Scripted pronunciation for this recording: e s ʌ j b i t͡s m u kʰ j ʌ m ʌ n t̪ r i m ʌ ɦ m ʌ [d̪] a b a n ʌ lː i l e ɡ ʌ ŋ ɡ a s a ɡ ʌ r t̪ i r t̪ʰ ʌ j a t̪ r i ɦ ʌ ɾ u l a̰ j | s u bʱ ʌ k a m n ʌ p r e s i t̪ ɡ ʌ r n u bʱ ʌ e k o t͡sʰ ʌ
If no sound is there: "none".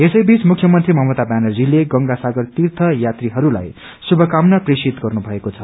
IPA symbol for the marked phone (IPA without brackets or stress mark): t̪